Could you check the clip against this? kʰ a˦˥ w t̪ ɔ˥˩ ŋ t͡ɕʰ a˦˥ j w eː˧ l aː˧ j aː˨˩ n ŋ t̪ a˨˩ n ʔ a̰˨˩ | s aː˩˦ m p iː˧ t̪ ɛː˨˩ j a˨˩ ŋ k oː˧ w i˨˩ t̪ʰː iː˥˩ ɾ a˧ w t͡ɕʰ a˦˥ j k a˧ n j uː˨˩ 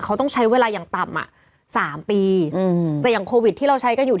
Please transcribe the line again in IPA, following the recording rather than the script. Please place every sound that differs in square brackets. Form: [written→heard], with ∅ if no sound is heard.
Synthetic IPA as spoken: kʰ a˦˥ w t̪ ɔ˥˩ ŋ t͡ɕʰ a˦˥ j w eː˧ l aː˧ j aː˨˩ [n→∅] ŋ t̪ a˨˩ [n→m] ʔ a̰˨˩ | s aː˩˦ m p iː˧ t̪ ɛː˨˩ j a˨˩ ŋ [k→kʰ] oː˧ w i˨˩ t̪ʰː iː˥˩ ɾ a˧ w t͡ɕʰ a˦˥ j k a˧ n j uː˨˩